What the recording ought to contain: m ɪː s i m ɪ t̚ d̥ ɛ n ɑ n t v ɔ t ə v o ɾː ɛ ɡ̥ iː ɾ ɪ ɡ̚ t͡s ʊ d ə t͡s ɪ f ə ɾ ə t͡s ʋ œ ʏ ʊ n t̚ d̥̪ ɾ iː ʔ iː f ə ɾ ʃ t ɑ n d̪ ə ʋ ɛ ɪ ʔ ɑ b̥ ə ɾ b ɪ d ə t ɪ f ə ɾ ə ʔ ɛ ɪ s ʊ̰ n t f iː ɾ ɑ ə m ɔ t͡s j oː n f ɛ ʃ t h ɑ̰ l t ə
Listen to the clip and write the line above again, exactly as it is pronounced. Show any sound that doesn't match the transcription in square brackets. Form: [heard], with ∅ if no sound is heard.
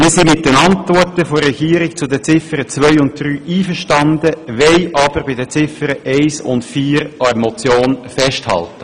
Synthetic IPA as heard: m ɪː s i m ɪ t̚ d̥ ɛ n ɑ n t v ɔ t ə [f] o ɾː ɛ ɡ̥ iː ɾ ɪ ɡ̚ t͡s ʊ d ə t͡s ɪ f ə ɾ ə t͡s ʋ œ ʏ ʊ n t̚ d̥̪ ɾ [yː] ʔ iː f ə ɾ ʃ t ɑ n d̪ ə ʋ ɛ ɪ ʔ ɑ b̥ ə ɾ b ɪ d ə [t͡s] ɪ f ə ɾ ə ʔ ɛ ɪ s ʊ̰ n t f iː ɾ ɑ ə m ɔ t͡s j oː n f ɛ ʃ t h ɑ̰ l t ə